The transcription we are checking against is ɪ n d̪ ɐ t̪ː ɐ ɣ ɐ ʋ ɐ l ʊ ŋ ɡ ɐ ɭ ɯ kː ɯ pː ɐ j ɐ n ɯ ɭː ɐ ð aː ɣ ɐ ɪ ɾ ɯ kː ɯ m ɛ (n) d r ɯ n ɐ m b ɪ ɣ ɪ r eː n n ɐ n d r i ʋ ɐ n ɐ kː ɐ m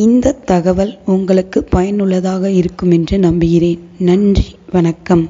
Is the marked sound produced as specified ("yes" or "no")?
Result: yes